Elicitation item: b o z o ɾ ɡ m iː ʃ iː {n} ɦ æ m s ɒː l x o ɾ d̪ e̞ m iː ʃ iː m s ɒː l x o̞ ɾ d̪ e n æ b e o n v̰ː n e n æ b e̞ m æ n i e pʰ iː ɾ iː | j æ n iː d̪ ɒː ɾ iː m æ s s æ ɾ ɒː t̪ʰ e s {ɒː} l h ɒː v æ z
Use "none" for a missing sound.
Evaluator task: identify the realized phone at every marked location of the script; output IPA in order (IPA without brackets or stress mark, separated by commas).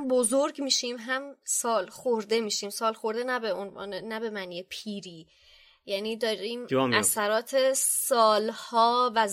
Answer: m, ɒː